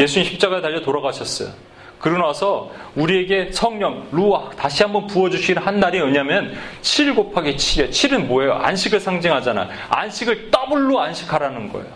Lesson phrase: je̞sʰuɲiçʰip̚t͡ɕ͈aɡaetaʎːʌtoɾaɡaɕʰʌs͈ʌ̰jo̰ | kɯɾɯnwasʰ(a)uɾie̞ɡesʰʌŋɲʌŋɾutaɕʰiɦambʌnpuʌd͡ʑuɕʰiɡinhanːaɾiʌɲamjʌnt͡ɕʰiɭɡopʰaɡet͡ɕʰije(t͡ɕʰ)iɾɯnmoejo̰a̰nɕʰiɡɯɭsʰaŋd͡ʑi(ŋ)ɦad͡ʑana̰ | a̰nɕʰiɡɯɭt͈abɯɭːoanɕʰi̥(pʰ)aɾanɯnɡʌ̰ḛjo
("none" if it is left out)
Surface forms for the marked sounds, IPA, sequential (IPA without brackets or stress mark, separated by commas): ʌ, t͡ɕʰ, ŋ, kʰ